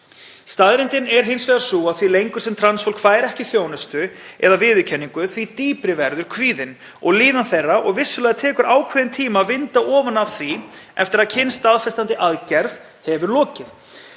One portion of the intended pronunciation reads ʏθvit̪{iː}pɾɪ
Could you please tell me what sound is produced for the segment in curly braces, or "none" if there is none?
iː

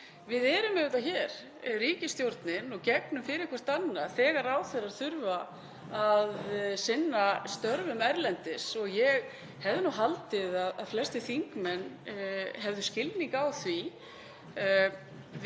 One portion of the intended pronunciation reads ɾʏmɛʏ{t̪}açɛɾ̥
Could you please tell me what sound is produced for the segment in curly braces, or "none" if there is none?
t̪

